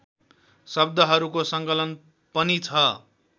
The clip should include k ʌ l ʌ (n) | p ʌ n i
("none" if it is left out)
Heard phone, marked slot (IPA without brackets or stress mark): n